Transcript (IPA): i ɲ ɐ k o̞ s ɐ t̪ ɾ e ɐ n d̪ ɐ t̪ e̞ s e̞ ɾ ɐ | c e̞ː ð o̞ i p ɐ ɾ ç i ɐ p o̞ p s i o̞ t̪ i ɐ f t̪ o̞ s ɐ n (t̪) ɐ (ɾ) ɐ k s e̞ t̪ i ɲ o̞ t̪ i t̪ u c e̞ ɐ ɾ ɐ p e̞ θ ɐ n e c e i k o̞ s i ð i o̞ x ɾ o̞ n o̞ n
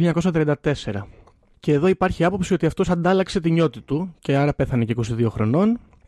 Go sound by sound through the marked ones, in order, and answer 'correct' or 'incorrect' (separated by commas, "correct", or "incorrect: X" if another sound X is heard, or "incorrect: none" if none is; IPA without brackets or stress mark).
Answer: incorrect: d̪, incorrect: l